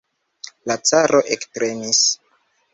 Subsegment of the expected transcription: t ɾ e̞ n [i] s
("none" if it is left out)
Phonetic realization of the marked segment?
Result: i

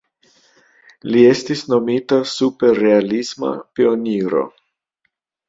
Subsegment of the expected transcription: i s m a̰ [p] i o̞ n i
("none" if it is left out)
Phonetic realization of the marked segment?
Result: p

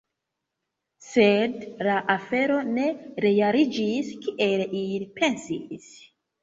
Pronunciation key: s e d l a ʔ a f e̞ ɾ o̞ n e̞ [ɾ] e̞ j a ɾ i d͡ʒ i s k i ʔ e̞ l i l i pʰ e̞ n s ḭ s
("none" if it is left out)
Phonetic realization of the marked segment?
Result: ɾ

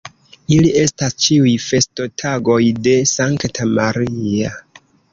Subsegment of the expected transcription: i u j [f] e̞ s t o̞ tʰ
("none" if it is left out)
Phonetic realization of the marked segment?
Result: f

